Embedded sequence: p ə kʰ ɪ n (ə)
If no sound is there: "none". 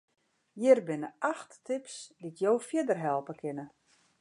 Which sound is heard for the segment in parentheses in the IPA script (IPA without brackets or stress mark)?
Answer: ə